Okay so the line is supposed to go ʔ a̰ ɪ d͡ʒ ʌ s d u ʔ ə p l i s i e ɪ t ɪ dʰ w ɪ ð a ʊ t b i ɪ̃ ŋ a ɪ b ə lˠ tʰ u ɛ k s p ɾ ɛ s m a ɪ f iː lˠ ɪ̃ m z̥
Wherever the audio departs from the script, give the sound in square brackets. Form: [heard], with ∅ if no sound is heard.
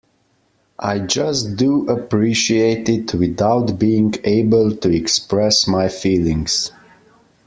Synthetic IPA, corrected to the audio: ʔ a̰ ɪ d͡ʒ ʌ s d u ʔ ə p [ɹ] i [ʃ] i e ɪ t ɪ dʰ w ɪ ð a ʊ t b i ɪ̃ ŋ [e] ɪ b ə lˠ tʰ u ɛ k s p [ɹ] ɛ s m a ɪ f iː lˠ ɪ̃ [ŋ] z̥